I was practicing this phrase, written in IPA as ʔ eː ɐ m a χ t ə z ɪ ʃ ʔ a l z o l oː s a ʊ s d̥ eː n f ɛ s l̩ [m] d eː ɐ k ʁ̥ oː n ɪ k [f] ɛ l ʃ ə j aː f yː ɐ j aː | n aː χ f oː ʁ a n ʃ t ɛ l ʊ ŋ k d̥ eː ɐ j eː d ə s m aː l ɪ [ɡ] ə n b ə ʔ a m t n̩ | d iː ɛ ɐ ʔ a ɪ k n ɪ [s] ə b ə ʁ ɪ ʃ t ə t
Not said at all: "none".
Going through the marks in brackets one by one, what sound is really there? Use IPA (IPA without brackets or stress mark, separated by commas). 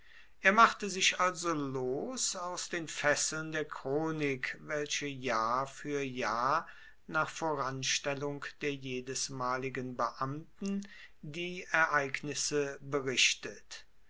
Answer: n, v, ɡ, s